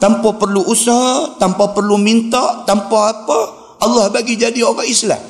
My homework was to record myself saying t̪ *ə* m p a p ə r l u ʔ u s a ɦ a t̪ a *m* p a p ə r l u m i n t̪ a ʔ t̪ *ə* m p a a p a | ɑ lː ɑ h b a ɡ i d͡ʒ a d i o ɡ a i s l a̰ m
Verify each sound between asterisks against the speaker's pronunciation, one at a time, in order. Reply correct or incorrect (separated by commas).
incorrect, correct, incorrect